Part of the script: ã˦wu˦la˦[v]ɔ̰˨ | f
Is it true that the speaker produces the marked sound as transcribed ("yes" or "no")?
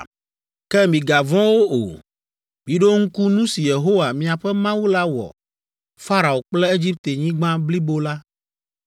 no